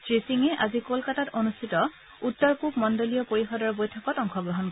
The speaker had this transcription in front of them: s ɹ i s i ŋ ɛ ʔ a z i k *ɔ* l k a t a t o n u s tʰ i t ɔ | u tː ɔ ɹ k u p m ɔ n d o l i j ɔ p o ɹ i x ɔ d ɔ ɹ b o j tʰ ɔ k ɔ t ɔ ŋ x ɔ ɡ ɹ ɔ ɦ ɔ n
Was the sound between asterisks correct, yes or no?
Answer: no